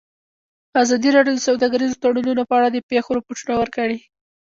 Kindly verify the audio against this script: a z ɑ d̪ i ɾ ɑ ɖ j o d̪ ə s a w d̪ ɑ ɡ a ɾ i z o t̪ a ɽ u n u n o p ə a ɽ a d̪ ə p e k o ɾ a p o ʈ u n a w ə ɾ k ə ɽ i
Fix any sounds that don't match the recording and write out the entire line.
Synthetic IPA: a z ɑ d̪ i ɾ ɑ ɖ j o d̪ ə s a w d̪ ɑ ɡ a ɾ i z o t̪ a ɽ u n u n o p ə a ɽ a d̪ ə p e x o ɾ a p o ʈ u n a w ə ɾ k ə ɽ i